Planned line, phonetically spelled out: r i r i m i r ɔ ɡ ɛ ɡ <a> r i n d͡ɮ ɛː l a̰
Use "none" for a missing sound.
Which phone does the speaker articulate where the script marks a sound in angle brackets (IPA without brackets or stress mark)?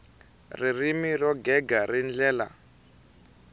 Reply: a